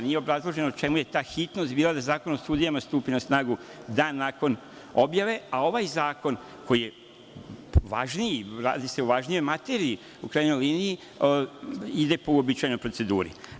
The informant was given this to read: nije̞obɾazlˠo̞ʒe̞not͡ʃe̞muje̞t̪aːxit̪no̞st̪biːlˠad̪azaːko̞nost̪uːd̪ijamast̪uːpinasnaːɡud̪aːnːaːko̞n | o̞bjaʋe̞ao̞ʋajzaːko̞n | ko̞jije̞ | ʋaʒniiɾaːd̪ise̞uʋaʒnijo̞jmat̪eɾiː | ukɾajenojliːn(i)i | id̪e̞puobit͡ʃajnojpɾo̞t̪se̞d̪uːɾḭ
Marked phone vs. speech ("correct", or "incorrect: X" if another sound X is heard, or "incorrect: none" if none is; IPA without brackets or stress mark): correct